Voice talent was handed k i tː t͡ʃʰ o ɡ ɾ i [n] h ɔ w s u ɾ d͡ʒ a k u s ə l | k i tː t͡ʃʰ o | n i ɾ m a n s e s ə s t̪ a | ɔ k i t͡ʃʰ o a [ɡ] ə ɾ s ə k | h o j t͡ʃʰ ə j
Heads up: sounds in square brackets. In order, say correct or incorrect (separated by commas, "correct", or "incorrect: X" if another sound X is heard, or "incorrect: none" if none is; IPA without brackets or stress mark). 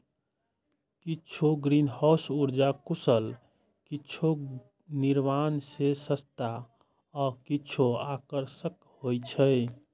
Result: correct, incorrect: k